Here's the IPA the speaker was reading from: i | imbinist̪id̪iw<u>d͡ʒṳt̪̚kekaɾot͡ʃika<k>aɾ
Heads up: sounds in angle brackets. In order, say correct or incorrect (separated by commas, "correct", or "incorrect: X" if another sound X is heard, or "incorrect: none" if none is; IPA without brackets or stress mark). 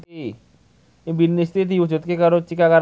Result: correct, correct